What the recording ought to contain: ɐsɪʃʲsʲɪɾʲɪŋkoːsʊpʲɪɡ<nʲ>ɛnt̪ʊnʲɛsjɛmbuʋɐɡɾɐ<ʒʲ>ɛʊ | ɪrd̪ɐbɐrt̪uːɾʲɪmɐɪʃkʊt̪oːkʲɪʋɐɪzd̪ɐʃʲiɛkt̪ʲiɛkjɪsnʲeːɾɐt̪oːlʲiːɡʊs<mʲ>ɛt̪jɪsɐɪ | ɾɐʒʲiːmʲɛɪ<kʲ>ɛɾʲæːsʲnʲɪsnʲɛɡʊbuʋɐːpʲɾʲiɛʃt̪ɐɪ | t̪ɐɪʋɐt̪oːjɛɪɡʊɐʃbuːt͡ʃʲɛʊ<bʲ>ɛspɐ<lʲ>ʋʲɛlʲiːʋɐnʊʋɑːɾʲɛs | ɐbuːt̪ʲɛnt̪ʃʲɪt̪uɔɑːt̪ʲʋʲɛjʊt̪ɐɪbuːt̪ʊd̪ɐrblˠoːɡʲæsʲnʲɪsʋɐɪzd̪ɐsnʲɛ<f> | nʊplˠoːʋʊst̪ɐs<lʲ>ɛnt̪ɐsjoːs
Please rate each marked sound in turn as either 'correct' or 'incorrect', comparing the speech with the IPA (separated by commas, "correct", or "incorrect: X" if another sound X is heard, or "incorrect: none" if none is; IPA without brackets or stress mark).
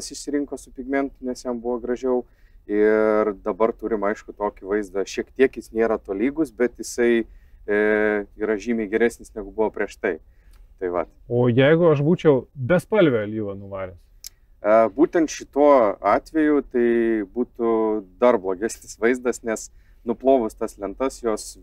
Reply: incorrect: mʲ, correct, incorrect: bʲ, incorrect: ɡʲ, correct, correct, incorrect: s, correct